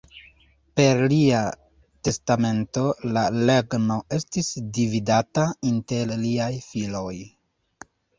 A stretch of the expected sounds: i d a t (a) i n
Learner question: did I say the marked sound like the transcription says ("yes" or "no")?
yes